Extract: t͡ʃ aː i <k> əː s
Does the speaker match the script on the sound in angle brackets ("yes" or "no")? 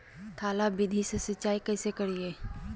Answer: yes